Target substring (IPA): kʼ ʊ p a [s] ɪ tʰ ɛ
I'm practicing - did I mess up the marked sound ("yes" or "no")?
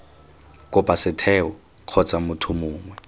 no